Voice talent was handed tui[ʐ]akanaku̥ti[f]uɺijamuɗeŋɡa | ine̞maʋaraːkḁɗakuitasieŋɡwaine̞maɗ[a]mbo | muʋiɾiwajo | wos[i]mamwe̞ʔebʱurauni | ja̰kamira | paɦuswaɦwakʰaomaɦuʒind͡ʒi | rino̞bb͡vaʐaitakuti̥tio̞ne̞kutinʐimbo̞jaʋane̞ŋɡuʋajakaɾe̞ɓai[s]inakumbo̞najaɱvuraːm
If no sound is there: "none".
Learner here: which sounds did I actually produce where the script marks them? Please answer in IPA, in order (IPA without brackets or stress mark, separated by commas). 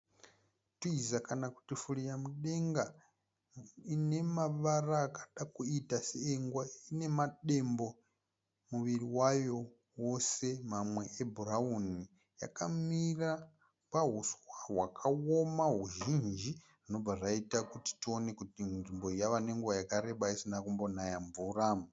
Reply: z, f, e, e, s